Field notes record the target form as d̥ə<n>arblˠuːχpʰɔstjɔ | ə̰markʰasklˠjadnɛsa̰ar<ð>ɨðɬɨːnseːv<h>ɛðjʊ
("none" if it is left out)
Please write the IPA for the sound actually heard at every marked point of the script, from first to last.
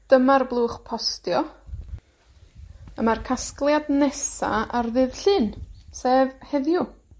m, ð, h

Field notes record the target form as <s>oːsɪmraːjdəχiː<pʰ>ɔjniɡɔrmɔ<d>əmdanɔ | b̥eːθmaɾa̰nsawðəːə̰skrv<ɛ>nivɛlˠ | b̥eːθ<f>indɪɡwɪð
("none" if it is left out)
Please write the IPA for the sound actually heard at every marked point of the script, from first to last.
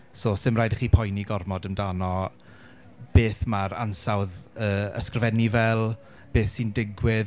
s, pʰ, d, ɛ, s

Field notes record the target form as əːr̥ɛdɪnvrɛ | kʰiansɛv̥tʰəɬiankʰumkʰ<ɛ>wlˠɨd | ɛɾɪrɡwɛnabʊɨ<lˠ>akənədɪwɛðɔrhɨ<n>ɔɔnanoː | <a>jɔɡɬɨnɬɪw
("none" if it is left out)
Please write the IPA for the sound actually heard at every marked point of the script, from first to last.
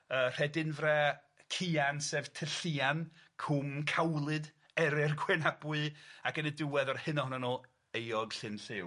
a, none, n, e

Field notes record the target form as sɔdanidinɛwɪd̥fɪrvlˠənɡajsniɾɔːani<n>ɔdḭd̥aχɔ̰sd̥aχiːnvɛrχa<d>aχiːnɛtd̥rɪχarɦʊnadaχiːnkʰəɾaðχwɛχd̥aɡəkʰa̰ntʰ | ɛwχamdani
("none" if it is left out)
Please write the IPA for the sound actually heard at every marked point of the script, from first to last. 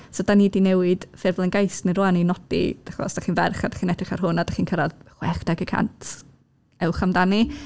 n, d

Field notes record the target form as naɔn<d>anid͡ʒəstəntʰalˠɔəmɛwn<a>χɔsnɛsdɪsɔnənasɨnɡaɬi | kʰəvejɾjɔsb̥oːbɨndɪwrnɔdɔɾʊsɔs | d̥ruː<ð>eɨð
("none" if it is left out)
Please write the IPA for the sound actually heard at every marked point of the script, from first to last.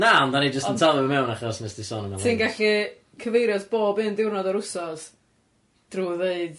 d, a, ð

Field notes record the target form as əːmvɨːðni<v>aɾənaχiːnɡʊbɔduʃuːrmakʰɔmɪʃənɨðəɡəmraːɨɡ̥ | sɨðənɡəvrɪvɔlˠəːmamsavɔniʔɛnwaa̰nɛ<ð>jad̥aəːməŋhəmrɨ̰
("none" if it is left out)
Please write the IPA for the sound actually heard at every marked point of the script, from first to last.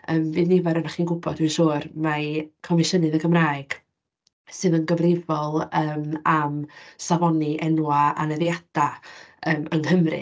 v, ð

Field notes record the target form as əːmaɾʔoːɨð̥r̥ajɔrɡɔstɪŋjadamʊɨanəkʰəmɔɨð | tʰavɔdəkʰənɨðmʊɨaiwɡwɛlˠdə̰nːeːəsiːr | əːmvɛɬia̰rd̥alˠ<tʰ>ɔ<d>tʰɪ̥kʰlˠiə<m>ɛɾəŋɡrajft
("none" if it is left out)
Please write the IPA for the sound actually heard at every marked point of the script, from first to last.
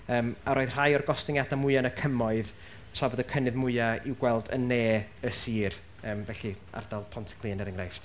pʰ, n, n

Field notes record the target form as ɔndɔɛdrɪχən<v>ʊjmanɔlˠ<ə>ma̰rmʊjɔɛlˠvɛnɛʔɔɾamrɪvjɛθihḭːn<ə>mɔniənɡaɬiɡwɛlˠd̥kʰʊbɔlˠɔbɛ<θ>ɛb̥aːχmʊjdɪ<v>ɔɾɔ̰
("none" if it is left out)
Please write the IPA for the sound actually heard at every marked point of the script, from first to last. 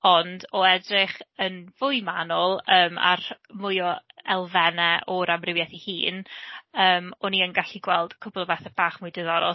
v, əː, əː, θ, ð

